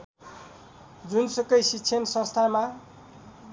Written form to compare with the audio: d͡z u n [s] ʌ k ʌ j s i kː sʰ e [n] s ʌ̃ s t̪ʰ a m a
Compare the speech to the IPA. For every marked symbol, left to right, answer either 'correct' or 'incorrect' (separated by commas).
correct, correct